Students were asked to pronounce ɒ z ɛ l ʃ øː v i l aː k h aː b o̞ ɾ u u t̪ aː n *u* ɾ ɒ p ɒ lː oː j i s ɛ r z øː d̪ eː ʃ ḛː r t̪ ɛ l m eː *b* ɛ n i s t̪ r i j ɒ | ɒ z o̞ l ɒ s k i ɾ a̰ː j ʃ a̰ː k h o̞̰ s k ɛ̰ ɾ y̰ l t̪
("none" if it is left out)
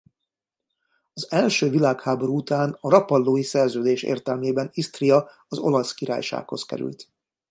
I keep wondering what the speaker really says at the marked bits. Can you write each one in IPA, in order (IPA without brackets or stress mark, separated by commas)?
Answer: ɒ, b